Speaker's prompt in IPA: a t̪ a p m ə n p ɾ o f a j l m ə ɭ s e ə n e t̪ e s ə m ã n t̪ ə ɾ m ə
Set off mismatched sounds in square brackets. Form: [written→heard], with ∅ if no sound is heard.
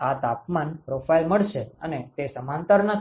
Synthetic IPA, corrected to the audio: a t̪ a p m [ə→a] n p ɾ o f a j l m ə ɭ [s→ʃ] e ə n e t̪ e s ə m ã n t̪ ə ɾ [m→n] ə